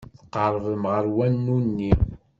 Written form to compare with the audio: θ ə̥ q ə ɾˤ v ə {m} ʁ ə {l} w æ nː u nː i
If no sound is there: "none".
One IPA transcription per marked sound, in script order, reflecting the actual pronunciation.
m, ɾ

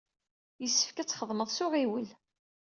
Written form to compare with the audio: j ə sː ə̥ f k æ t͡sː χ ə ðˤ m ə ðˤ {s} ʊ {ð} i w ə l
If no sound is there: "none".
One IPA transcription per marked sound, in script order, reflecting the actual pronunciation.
s, ʁ

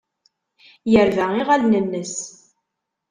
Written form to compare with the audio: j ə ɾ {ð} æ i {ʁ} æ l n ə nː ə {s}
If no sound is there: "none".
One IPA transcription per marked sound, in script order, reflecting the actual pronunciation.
v, ʁ, s

